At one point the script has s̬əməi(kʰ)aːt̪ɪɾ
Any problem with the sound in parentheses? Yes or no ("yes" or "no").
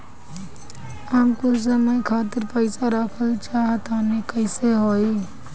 no